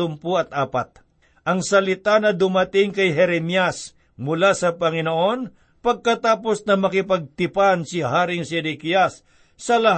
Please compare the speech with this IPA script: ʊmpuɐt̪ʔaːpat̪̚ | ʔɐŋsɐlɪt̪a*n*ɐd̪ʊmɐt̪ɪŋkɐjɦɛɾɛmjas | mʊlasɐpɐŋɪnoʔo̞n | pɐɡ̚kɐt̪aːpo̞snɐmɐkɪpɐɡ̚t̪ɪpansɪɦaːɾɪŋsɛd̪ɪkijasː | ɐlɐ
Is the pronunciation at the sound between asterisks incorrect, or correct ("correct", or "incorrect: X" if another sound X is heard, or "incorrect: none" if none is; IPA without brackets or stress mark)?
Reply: correct